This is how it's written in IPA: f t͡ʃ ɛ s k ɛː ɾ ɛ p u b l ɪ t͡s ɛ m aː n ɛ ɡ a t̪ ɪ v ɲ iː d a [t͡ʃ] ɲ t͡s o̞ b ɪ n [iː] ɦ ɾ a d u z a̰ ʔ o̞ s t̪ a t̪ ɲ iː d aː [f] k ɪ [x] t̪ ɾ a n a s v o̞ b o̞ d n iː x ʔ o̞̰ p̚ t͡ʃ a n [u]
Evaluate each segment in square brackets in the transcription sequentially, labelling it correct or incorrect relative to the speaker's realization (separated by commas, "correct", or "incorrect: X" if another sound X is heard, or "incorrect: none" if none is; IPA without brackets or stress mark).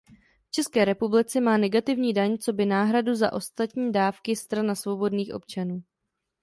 incorrect: none, incorrect: aː, correct, incorrect: s, incorrect: uː